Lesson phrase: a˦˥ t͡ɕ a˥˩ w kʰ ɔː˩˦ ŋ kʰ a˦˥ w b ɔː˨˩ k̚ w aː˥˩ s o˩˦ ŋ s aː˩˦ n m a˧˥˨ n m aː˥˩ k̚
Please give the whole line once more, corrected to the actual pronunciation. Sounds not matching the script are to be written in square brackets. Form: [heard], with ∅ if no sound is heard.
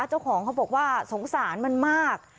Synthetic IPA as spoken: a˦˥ t͡ɕ a˥˩ w kʰ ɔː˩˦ ŋ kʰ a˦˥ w b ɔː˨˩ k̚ w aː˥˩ s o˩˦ ŋ s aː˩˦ n m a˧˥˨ n m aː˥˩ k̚